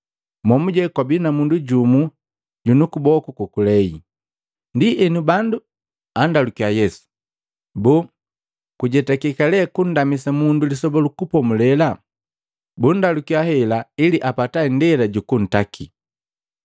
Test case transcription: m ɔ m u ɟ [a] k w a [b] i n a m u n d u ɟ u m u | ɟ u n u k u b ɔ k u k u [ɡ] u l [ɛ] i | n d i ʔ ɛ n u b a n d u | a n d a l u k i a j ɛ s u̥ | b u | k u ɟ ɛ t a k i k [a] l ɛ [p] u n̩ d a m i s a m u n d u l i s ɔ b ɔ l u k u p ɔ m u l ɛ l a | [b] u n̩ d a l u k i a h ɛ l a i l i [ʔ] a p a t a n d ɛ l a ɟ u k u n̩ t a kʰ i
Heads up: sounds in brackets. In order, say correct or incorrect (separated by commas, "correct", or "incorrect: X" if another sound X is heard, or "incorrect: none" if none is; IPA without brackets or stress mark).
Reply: incorrect: ɛ, correct, incorrect: k, correct, correct, incorrect: k, correct, correct